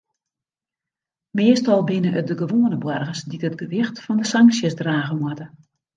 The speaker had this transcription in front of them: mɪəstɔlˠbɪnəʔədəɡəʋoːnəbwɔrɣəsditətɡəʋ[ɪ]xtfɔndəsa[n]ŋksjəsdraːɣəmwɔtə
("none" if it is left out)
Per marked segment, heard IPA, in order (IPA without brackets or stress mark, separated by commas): ɪ, none